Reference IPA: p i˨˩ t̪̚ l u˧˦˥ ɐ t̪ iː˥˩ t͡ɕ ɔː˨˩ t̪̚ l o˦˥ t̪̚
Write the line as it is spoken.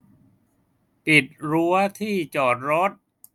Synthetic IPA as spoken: p i˨˩ t̪̚ ɾ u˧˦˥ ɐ t̪ʰ iː˥˩ t͡ɕ ɔː˨˩ t̪̚ ɾ o˦˥ t̪̚